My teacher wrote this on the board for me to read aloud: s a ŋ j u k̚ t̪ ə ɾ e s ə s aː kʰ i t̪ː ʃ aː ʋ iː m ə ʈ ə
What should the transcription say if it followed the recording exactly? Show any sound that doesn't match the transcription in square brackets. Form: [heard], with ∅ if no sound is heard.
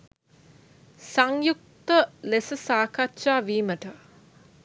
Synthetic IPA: s a ŋ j u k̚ t̪ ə [l] e s ə s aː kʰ [a] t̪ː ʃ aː ʋ iː m ə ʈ ə